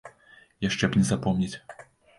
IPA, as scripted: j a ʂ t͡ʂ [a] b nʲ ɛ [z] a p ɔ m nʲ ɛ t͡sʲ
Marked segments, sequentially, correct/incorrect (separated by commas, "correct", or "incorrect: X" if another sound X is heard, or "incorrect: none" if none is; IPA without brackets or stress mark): incorrect: ɛ, correct